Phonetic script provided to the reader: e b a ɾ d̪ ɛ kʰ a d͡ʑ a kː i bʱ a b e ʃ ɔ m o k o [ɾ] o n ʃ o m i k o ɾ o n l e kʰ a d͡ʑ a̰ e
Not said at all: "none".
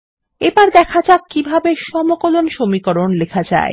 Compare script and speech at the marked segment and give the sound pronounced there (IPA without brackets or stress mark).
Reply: l